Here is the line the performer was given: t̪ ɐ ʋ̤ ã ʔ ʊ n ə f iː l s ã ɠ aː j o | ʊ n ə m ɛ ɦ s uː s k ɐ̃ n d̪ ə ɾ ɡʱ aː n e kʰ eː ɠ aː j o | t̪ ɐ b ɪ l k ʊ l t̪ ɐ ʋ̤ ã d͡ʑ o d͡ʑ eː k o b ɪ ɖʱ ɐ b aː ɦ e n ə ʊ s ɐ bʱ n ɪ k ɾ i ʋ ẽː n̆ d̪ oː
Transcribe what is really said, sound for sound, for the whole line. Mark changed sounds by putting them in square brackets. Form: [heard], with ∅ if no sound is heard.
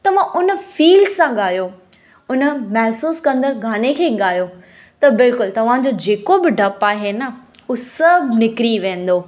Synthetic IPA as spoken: t̪ ɐ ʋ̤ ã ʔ ʊ n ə f iː l s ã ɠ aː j o | ʊ n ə m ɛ ɦ s uː s k ɐ̃ n d̪ ə ɾ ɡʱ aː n e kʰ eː ɠ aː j o | t̪ ɐ b ɪ l k ʊ l t̪ ɐ ʋ̤ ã d͡ʑ o d͡ʑ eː k o b ɪ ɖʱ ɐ [p] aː ɦ e n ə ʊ s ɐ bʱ n ɪ k ɾ i ʋ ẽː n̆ d̪ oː